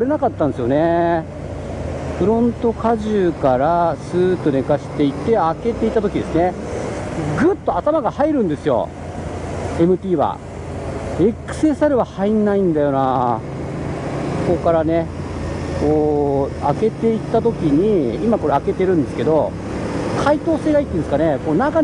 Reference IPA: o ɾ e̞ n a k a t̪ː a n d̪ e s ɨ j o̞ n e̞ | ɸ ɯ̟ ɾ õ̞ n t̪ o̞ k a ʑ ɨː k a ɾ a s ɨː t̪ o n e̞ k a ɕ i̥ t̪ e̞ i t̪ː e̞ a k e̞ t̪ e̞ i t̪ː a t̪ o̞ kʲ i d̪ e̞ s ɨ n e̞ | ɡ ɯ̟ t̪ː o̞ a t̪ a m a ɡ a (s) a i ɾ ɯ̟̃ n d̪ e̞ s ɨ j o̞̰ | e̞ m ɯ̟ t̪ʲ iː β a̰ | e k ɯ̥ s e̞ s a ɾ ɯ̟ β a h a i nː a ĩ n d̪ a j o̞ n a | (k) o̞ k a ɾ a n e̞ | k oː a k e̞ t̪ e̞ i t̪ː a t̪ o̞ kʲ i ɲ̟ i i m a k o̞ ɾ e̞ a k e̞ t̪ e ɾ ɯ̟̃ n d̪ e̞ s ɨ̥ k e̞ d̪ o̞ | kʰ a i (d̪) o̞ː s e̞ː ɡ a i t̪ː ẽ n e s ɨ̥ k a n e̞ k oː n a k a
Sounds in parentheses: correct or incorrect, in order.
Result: incorrect: h, correct, incorrect: t̪

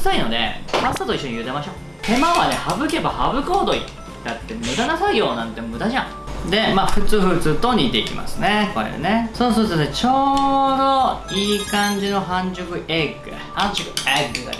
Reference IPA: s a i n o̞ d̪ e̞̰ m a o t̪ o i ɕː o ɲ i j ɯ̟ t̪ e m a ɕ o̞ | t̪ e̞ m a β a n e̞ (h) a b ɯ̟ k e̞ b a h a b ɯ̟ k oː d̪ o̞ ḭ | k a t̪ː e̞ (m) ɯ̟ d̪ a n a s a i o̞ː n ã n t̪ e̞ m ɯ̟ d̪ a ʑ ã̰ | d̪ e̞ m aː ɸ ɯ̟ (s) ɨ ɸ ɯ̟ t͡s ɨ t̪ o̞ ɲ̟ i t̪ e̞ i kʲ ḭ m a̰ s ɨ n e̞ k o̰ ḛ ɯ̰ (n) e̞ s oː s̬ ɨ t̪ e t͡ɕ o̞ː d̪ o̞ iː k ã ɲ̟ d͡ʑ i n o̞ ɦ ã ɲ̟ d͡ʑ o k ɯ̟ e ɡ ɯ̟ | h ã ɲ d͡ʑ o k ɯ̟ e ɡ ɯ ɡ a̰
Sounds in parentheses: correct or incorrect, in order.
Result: correct, correct, incorrect: t͡s, correct

